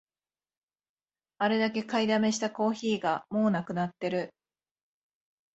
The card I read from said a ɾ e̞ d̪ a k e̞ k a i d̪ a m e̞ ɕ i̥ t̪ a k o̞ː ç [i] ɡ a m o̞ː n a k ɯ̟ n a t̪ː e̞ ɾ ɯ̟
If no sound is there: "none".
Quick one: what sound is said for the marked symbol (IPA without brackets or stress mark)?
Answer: iː